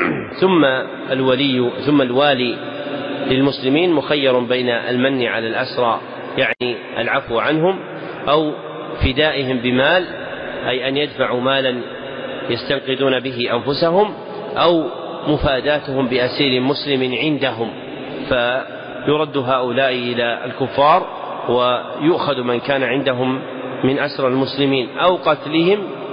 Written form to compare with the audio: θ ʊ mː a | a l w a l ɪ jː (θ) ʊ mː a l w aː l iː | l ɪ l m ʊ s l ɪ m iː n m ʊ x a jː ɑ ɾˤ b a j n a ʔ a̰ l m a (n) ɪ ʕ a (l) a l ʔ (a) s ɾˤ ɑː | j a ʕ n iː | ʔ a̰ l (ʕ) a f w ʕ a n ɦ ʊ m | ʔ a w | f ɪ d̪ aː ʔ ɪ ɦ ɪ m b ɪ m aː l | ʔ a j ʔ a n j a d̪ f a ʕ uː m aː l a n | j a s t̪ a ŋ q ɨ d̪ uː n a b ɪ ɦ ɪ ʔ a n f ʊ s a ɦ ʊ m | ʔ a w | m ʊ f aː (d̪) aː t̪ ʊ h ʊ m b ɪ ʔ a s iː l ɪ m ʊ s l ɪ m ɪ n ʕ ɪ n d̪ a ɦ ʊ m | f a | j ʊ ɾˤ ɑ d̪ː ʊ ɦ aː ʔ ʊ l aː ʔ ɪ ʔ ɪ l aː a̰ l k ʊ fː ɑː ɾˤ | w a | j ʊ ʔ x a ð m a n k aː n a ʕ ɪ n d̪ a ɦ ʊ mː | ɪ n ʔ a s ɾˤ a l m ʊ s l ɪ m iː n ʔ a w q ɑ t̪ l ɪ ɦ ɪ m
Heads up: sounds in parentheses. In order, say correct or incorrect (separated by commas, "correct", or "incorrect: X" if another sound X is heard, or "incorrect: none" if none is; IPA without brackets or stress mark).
correct, incorrect: nː, correct, correct, correct, correct